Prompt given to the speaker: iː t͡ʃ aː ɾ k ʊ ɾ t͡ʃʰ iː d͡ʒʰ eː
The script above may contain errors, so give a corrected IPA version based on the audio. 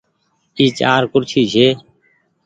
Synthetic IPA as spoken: iː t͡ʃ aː ɾ k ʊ ɾ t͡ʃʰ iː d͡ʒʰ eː